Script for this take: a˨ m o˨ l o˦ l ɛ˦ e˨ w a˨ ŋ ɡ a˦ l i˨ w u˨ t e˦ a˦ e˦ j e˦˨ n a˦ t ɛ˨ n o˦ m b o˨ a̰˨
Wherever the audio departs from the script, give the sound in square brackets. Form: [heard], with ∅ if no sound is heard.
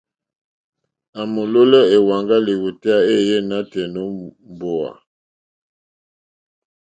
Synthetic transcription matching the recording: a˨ m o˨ l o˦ l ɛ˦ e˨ w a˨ ŋ ɡ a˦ l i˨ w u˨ t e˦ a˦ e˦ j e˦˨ n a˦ t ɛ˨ n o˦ m b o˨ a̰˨